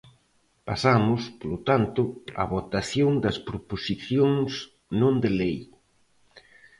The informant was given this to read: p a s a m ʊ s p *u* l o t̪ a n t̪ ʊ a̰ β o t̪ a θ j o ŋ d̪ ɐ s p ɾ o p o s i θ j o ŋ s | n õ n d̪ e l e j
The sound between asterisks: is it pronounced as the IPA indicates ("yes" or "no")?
no